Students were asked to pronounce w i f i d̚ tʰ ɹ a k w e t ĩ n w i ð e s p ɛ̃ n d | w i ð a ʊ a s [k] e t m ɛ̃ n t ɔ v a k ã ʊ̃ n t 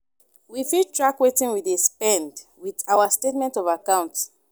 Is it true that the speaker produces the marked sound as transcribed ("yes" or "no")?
no